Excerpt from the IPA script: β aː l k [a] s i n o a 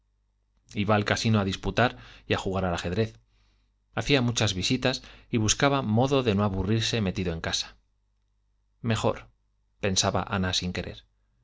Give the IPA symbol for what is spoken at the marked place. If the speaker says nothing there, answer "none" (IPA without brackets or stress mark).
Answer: a